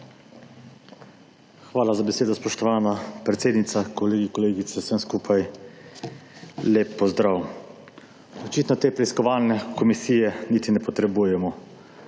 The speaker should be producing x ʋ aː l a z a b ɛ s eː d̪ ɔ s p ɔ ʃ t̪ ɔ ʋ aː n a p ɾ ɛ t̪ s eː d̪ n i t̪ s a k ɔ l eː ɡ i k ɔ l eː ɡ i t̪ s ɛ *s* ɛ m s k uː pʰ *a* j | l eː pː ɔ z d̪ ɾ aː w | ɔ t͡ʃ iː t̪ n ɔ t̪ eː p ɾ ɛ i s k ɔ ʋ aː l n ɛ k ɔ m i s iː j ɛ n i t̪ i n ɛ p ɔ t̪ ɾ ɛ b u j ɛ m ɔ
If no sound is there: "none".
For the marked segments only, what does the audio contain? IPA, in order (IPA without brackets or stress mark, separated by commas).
s, a